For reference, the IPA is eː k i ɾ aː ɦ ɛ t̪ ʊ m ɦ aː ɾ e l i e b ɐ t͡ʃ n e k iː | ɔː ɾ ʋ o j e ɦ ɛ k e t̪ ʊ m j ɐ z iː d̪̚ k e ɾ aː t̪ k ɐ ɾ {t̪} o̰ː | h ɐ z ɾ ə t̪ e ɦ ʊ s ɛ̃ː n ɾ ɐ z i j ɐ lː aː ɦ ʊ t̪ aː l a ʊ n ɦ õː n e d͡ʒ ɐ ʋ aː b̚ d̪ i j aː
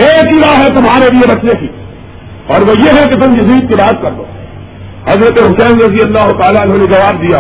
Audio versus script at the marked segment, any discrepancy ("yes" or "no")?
yes